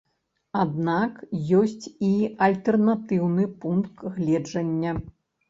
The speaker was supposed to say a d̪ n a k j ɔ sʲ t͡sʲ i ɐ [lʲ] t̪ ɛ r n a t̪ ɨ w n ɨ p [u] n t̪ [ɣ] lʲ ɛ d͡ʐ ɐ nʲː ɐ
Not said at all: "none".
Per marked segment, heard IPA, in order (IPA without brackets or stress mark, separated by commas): lʲ, u, ɣ